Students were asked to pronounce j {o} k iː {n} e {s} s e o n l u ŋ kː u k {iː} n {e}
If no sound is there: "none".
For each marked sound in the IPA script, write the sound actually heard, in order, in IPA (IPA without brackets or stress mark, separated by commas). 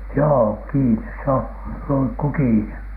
oː, n, s, iː, e